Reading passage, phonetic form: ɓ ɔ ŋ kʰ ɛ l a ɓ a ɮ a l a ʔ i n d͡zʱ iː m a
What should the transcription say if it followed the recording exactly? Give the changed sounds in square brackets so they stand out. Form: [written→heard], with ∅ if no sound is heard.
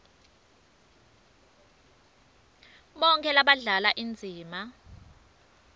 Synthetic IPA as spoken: ɓ ɔ ŋ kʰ ɛ l a ɓ a ɮ a l a ʔ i n d͡zʱ iː m a